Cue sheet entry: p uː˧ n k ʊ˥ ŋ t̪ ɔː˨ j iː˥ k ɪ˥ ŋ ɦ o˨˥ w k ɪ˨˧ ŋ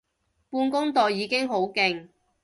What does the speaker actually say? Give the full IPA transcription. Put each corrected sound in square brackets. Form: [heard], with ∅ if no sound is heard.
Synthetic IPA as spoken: p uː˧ n k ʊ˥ ŋ t̪ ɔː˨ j [iː˨˧] k ɪ˥ ŋ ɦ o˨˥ w k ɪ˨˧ ŋ